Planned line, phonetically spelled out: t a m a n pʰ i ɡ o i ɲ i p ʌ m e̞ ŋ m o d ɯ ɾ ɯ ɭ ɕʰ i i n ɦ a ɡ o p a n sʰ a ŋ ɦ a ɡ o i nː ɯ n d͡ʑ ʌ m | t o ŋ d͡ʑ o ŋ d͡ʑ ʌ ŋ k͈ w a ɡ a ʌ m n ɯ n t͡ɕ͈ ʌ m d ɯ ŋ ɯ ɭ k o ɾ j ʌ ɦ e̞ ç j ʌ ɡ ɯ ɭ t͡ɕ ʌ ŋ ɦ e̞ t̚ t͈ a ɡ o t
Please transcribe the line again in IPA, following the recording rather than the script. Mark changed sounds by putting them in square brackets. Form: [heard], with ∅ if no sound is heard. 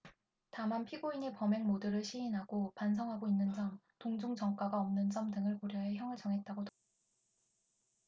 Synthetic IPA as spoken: t a m a n pʰ i ɡ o i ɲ i p ʌ m e̞ ŋ m o d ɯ ɾ ɯ ɭ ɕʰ i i n ɦ a ɡ o p a n sʰ [ʌ] ŋ ɦ a ɡ o i nː ɯ n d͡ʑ ʌ m | t o ŋ d͡ʑ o ŋ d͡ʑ ʌ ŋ k͈ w a ɡ a ʌ m n ɯ n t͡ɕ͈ ʌ m d ɯ ŋ ɯ ɭ k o ɾ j ʌ ɦ e̞ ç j ʌ [ŋ] ɯ ɭ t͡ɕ ʌ ŋ ɦ e̞ t̚ t͈ a ɡ o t